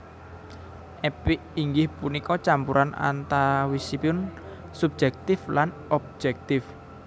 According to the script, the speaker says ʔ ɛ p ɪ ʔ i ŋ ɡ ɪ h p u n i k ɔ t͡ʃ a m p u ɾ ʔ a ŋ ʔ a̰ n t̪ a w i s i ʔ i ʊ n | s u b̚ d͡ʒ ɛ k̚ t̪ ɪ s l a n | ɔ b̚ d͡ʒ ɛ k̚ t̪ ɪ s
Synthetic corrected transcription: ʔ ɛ p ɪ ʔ i ŋ ɡ ɪ h p u n i k ɔ t͡ʃ a m p u ɾ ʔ a n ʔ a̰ n t̪ a w i s i p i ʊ n | s u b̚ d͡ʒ ɛ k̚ t̪ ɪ f l a n | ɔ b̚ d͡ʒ ɛ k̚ t̪ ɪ f